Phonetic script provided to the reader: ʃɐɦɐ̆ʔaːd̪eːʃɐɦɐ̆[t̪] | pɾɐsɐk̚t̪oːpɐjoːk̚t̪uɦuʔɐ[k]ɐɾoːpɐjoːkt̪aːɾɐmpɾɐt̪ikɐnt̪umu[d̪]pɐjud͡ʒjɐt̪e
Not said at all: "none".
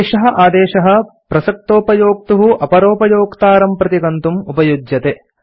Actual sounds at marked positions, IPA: none, p, none

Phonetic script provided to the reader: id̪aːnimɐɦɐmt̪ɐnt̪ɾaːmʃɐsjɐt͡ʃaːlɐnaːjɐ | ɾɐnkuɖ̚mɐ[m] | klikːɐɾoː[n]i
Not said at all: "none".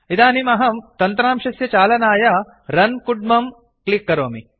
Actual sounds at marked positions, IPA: m, m

